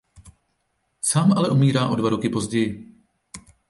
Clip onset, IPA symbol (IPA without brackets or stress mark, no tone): s